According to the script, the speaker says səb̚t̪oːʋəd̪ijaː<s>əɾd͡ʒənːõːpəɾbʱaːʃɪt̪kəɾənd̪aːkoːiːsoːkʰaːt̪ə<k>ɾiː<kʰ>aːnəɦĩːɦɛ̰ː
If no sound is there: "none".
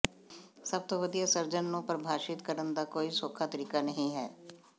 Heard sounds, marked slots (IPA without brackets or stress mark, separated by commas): s, none, k